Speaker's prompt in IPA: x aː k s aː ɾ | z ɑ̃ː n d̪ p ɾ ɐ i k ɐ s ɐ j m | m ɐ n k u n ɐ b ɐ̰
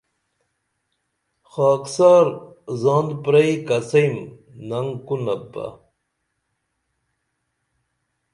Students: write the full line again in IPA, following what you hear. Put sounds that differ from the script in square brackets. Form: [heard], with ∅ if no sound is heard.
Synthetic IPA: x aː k s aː ɾ | z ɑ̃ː n d̪ p ɾ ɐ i k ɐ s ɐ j m | [n] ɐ [ŋ] k u n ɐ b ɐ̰

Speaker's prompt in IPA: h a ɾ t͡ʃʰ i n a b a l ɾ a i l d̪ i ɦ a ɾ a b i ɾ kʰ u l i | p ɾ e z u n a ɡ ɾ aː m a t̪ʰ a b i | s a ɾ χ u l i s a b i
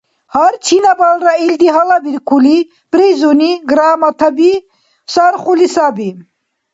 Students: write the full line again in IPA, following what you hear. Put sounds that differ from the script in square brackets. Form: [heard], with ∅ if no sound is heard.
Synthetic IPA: h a ɾ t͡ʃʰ i n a b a l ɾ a i l d̪ i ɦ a [l] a b i ɾ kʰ u l i | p ɾ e z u n [i] ɡ ɾ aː m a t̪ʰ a b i | s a ɾ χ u l i s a b i

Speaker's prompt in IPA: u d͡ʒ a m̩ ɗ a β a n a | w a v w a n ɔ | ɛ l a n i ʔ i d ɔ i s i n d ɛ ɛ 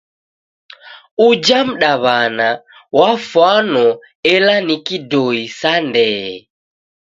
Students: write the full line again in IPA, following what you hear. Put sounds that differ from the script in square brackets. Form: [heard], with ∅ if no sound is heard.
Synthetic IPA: u d͡ʒ a m̩ ɗ a β a n a | w a [f] w a n ɔ | ɛ l a n i [k] i d ɔ i s [a] n d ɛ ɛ

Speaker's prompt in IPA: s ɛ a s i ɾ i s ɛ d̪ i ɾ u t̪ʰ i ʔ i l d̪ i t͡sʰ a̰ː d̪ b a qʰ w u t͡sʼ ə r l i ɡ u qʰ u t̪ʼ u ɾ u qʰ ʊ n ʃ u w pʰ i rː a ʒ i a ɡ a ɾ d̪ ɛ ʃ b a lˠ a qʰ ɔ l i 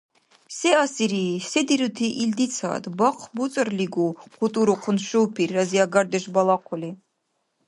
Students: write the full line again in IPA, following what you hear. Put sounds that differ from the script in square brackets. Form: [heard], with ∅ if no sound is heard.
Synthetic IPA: s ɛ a s i ɾ i s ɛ d̪ i ɾ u t̪ʰ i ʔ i l d̪ i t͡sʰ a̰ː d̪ b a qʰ [b] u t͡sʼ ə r l i ɡ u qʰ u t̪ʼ u ɾ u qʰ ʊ n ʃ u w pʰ i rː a [z] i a ɡ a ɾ d̪ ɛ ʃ b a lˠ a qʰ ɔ l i

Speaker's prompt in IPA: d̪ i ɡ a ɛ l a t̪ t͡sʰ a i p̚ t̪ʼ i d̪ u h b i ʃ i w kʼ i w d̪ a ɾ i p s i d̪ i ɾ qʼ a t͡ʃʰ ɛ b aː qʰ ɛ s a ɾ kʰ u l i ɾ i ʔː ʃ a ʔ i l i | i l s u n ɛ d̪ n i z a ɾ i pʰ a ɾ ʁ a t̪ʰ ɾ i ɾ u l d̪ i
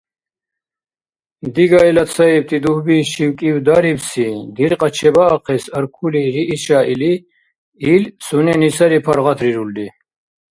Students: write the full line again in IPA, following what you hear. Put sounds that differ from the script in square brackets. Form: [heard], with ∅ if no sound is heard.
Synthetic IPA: d̪ i ɡ a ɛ l a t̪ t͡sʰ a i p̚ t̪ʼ i d̪ u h b i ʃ i w kʼ i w d̪ a ɾ i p s i d̪ i ɾ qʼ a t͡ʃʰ ɛ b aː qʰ ɛ s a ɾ kʰ u l i ɾ i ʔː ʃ a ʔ i l i | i l s u n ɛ [∅] n i [s] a ɾ i pʰ a ɾ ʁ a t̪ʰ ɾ i ɾ u l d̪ i

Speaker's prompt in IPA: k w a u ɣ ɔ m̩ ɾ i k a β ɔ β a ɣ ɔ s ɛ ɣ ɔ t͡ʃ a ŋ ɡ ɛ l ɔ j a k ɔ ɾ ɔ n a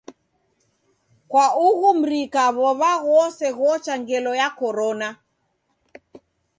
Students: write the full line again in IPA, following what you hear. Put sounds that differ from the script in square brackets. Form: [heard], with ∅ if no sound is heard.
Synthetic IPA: k w a u ɣ [u] m̩ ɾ i k a β ɔ β a ɣ ɔ s ɛ ɣ ɔ t͡ʃ a ŋ ɡ ɛ l ɔ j a k ɔ ɾ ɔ n a

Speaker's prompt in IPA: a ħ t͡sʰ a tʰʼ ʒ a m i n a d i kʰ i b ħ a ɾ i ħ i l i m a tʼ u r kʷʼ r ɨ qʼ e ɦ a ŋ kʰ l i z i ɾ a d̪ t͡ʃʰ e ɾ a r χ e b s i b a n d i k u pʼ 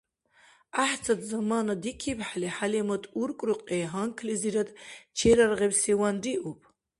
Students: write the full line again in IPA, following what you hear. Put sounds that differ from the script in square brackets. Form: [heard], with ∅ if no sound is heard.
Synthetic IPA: a ħ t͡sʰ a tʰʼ [z] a m [a] n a d i kʰ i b ħ a [l] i ħ [a] l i m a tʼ u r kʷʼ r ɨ qʼ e ɦ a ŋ kʰ l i z i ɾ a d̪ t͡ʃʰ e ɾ a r [ʁ] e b s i [w] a n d i [ʔ] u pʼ

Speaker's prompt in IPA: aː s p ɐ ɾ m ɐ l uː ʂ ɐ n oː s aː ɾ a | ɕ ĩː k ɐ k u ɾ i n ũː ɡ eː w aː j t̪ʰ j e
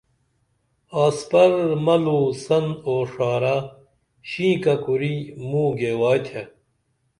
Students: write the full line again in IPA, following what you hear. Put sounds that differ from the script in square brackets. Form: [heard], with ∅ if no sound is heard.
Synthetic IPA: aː s p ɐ ɾ m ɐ l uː [s] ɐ n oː [ʂ] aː ɾ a | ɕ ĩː k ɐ k u ɾ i [m] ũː ɡ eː w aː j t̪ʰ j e

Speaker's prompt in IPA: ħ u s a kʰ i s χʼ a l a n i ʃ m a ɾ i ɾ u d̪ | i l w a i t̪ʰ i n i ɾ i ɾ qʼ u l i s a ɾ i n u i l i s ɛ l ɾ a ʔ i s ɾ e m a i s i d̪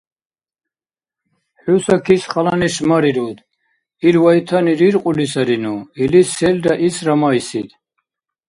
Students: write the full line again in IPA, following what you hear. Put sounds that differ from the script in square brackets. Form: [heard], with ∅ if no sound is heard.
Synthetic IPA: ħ u s a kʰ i s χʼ a l a n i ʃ m a ɾ i ɾ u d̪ | i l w a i t̪ʰ [a] n i ɾ i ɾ qʼ u l i s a ɾ i n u i l i s ɛ l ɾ a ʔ i s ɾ [a] m a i s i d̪

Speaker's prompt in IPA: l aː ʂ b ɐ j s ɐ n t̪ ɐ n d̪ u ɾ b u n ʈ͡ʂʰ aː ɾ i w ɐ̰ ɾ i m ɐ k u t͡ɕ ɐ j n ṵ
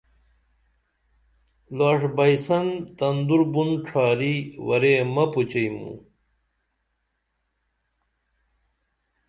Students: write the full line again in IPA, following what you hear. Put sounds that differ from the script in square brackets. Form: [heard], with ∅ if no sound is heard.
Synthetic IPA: l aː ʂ b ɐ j s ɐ n t̪ ɐ n d̪ u ɾ b u n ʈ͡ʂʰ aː ɾ i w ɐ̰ ɾ [e] m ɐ [p] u t͡ɕ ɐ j [m] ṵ

